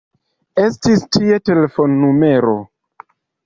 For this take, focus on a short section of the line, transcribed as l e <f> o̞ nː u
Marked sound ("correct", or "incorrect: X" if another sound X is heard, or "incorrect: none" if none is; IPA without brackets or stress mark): correct